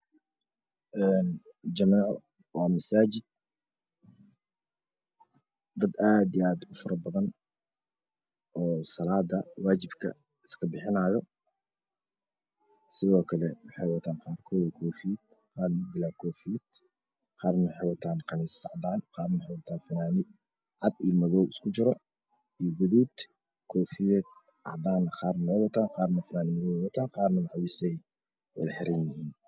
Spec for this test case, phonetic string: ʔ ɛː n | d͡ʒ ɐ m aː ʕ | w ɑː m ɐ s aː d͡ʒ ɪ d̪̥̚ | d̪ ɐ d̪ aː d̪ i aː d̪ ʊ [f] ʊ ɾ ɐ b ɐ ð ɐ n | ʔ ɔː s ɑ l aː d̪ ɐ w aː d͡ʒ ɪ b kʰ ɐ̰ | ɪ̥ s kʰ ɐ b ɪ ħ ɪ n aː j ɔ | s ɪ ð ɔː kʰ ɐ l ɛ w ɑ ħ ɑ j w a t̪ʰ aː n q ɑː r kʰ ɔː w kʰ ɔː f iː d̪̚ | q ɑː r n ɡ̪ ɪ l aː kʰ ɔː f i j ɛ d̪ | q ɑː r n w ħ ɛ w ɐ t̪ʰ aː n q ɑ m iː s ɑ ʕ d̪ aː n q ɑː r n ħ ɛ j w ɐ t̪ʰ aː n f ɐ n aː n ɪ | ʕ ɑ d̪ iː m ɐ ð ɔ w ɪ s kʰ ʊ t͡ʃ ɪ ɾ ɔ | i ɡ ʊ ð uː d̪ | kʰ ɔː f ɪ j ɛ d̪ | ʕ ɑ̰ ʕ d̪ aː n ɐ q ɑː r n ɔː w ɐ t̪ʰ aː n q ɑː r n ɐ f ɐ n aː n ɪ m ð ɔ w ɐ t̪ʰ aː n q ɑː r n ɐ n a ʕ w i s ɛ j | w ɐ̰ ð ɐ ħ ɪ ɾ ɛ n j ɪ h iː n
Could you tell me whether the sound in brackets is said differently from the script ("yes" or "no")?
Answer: no